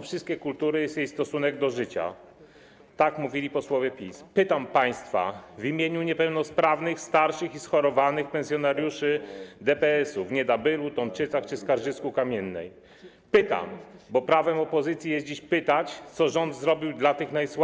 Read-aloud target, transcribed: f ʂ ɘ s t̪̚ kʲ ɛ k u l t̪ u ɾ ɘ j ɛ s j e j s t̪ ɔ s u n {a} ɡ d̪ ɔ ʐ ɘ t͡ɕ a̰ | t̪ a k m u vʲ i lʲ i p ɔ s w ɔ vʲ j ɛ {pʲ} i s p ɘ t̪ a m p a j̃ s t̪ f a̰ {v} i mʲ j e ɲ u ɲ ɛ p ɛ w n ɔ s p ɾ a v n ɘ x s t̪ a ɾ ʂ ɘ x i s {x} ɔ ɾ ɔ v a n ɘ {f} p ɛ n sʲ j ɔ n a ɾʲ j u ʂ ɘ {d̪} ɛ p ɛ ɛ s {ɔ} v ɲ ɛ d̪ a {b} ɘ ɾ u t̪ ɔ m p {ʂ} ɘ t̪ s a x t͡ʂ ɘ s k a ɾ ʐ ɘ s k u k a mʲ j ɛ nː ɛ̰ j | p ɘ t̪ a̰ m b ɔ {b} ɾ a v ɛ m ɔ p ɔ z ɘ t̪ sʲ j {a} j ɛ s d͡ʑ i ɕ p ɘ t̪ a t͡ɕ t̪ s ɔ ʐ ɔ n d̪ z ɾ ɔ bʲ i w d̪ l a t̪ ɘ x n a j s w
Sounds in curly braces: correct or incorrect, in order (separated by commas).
incorrect, correct, correct, correct, incorrect, correct, incorrect, correct, incorrect, incorrect, incorrect